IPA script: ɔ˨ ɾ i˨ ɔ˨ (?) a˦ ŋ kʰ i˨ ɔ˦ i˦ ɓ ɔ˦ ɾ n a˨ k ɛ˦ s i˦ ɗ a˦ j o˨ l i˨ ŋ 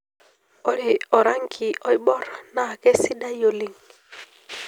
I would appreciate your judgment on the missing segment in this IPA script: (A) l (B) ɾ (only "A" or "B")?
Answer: B